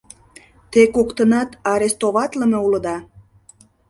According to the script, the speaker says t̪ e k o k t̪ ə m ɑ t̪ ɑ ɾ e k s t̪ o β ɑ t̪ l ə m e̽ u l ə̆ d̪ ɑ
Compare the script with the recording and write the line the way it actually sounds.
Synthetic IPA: t̪ e k o k t̪ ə n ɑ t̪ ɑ ɾ e s t̪ o β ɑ t̪ l ə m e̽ u l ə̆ d̪ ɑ